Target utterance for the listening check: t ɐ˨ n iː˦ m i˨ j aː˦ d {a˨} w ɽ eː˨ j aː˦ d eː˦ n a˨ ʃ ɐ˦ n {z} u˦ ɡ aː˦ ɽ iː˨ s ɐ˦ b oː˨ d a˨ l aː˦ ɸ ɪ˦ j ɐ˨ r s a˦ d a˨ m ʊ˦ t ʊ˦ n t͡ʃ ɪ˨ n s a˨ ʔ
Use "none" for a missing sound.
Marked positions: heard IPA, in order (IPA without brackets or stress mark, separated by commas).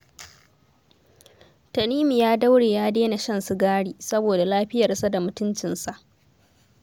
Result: a˦, s